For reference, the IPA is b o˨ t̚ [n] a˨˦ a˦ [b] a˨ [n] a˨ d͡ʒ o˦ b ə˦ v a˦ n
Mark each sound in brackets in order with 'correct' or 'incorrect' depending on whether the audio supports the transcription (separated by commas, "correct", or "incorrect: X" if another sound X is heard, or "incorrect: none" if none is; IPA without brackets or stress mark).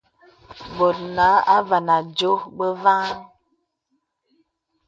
correct, incorrect: v, correct